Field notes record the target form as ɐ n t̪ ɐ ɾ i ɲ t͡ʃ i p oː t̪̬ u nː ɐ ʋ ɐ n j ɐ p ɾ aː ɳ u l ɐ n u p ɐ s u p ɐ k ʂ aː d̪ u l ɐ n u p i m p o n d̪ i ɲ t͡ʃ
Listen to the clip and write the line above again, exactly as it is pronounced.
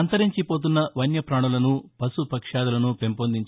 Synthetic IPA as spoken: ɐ n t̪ ɐ ɾ i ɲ t͡ʃ i p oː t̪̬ u nː ɐ ʋ ɐ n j ɐ p ɾ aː ɳ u l ɐ n u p ɐ s u p ɐ k ʂ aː d̪ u l ɐ n u p e m p o n d̪ i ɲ t͡ʃ